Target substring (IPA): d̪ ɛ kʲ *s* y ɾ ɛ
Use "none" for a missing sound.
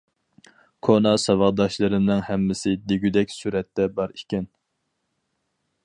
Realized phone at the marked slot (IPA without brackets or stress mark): s